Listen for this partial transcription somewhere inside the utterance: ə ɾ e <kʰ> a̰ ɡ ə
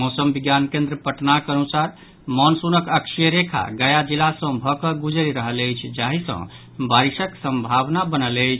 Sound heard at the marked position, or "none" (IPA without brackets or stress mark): kʰ